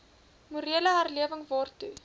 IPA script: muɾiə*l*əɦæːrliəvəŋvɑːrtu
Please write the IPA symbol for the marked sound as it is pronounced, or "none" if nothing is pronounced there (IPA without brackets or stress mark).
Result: l